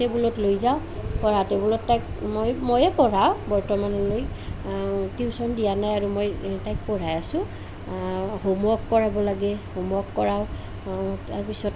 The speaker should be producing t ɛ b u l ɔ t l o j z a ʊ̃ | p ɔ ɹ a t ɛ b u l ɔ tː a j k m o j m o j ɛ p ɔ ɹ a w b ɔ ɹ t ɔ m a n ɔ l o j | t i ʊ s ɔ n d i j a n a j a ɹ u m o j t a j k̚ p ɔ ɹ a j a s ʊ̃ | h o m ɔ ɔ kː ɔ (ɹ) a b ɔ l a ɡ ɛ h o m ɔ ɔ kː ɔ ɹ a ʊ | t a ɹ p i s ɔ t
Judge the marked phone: correct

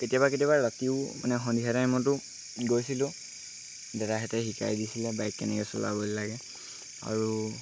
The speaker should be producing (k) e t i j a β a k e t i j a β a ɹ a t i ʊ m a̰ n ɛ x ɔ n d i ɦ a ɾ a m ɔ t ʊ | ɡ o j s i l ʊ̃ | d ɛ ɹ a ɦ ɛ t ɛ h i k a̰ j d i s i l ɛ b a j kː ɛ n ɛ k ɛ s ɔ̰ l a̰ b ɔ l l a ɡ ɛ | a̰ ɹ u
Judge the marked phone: correct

